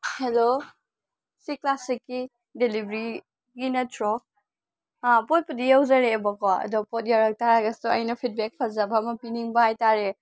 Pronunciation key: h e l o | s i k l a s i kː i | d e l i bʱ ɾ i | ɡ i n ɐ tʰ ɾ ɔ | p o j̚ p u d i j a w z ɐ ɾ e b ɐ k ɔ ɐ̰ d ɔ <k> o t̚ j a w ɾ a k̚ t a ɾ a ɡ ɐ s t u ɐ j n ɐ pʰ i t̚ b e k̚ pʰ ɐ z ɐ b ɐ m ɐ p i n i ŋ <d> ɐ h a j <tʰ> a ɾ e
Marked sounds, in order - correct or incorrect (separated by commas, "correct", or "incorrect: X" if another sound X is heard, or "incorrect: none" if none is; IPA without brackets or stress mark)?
incorrect: p, incorrect: b, incorrect: t